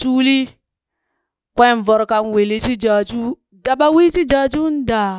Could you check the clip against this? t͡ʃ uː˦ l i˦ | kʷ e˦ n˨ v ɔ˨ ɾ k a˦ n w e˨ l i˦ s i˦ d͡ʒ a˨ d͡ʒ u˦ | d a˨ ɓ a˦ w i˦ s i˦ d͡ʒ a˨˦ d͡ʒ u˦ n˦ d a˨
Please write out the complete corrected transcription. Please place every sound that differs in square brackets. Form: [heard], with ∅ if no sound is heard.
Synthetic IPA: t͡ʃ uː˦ l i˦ | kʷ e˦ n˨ v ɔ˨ ɾ k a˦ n w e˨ l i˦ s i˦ d͡ʒ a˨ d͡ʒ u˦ | d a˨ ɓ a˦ w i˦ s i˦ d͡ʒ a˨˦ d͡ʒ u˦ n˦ d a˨

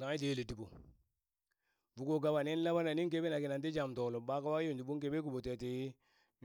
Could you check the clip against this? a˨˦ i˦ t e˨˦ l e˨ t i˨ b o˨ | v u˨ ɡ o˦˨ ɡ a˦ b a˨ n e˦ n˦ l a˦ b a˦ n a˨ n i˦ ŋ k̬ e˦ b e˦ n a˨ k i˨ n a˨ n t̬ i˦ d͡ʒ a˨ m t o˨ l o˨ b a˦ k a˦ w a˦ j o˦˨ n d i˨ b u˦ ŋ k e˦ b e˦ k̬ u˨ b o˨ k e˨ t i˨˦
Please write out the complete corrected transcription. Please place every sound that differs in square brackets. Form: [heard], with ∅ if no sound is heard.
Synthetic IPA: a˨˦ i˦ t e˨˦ l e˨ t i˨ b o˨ | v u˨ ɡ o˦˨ ɡ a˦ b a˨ n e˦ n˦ l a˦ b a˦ n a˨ n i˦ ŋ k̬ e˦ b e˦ n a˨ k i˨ n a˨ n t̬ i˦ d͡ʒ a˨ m t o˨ l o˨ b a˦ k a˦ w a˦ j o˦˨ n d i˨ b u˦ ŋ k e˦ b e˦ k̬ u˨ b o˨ [t] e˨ t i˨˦

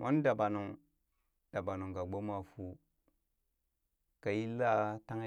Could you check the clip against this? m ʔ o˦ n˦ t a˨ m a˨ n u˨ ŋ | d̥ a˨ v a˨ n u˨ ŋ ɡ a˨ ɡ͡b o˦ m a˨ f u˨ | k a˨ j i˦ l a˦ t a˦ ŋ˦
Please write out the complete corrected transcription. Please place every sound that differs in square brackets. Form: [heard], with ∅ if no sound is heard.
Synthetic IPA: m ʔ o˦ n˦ [d] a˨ [b] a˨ n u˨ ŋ | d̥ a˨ [b] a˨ n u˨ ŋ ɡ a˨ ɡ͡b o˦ m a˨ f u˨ | k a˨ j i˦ l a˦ t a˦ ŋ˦

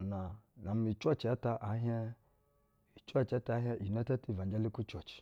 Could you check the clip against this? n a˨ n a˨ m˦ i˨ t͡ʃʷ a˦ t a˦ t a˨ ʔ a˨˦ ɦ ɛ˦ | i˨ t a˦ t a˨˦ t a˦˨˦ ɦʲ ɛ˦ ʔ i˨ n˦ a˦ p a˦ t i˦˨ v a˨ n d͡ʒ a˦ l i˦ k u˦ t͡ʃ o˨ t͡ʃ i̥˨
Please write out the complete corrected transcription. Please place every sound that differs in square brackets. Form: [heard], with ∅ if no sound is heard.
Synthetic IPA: n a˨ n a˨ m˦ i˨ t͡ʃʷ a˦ [t͡ʃ] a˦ t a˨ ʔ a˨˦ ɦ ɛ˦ | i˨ [t͡ʃ] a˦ [t͡ʃ] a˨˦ t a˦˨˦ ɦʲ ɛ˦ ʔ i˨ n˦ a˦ [t] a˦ t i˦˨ v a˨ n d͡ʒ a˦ l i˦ k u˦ t͡ʃ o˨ t͡ʃ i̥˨

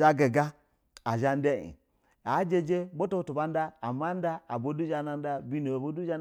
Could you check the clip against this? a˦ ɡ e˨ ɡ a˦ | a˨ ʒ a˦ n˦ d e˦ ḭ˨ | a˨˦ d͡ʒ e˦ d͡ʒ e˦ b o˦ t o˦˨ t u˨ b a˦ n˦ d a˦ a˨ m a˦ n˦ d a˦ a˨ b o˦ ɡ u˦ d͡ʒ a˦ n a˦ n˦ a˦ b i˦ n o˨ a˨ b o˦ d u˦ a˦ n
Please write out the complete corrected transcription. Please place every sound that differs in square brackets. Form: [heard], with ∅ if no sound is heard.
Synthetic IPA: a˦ ɡ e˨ ɡ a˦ | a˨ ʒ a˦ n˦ d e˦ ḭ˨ | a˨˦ d͡ʒ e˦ d͡ʒ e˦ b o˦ t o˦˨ t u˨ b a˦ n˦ d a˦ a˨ m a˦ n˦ d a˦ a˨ b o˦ [d] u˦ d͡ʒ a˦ n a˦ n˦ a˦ b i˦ n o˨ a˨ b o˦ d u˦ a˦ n

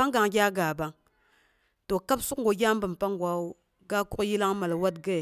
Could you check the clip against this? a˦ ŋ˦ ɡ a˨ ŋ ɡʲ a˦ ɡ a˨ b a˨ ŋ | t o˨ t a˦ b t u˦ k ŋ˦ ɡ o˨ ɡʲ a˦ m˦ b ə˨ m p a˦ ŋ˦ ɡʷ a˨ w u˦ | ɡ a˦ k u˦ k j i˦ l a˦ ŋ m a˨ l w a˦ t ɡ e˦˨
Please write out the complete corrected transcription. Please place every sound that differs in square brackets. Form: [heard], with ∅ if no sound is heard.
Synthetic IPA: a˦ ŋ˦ ɡ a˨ ŋ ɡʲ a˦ ɡ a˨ b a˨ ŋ | t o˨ [k] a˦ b [s] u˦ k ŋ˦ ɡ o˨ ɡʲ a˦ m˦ b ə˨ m p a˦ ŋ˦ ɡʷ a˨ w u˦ | ɡ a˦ k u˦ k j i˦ l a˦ ŋ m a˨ l w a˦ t ɡ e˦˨

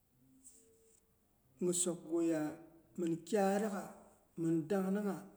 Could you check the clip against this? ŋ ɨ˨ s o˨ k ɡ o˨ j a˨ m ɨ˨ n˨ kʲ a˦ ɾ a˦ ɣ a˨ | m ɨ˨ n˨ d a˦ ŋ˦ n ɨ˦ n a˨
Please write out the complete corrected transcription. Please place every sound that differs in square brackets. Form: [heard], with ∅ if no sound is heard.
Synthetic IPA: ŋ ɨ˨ s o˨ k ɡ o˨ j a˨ m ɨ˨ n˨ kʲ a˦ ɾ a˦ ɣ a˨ | m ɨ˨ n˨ d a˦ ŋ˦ n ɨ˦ [ŋ] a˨

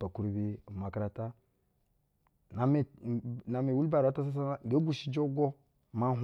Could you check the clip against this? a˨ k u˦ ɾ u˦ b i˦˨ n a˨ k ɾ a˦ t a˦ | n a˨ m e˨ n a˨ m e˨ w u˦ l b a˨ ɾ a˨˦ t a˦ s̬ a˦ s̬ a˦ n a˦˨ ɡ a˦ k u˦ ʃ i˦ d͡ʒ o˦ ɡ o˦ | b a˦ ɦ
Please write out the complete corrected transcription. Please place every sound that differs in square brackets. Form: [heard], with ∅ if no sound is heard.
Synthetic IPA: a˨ k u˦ ɾ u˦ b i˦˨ [m] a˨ k ɾ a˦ t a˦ | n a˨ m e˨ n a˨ m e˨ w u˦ l b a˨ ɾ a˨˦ t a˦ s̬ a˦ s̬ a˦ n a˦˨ ɡ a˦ [ɡ] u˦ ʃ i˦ d͡ʒ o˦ ɡ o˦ | [m] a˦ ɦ

